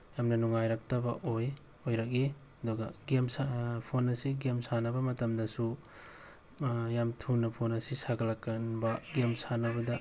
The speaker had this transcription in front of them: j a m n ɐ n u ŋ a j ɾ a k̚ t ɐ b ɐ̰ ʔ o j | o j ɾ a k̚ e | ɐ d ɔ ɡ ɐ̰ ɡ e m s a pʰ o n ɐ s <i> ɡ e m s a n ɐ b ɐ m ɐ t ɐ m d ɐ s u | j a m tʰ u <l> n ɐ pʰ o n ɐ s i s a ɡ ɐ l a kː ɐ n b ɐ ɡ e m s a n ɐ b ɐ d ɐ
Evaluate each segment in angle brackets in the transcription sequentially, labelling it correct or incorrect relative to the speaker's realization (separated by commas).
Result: correct, incorrect